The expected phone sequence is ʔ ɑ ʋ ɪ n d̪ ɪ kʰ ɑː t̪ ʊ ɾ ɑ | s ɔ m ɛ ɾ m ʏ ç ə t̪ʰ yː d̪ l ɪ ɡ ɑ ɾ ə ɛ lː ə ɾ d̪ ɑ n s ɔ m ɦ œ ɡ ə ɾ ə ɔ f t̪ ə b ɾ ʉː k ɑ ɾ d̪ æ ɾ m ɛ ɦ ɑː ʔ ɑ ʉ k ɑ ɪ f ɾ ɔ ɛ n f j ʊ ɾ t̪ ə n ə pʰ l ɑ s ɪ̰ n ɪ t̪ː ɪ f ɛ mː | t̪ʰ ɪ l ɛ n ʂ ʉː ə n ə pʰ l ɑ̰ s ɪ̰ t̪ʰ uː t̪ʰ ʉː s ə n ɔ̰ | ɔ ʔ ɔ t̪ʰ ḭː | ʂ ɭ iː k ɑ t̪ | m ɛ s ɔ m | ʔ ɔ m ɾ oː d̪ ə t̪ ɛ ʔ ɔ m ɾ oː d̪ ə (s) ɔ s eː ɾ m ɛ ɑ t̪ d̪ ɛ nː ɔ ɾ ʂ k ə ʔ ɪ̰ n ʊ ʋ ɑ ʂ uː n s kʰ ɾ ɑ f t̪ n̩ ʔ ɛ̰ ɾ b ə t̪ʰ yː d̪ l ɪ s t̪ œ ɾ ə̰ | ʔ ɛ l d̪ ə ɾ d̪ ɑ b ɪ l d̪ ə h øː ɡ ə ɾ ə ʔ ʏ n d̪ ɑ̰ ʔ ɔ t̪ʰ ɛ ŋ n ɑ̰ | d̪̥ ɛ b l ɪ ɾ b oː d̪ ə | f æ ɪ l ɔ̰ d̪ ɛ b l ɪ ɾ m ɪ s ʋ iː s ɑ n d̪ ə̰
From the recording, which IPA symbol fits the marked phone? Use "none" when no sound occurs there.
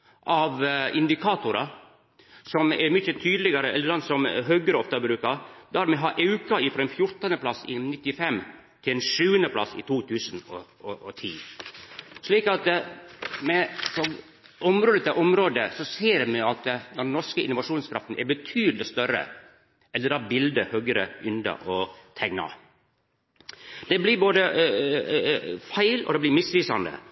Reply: s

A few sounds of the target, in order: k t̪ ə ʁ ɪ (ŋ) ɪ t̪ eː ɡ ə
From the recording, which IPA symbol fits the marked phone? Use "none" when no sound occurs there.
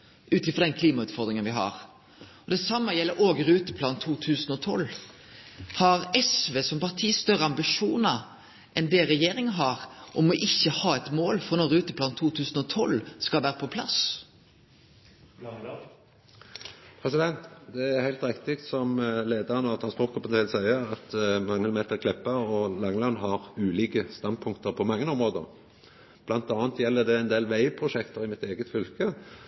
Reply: m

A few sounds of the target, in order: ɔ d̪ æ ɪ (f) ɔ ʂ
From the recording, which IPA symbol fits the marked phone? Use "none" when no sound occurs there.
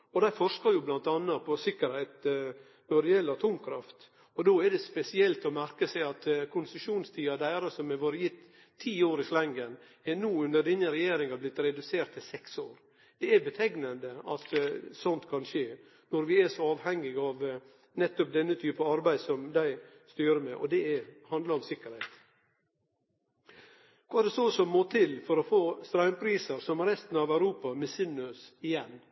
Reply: f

